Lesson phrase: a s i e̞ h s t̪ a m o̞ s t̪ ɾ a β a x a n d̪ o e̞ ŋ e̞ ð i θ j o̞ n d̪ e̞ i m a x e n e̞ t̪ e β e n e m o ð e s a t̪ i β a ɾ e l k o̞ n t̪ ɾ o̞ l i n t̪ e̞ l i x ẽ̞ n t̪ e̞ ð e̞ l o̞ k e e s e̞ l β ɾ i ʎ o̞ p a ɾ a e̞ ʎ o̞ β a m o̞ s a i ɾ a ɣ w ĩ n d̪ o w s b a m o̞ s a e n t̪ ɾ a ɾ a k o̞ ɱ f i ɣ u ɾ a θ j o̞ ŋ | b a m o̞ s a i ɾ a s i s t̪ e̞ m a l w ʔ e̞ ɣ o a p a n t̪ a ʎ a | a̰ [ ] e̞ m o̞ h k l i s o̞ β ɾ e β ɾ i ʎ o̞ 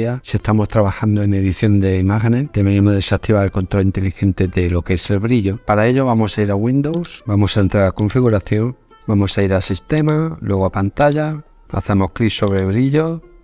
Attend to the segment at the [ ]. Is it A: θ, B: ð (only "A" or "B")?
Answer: A